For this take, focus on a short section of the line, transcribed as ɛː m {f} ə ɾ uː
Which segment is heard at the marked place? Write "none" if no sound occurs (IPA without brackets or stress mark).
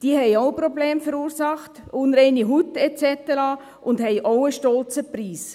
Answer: f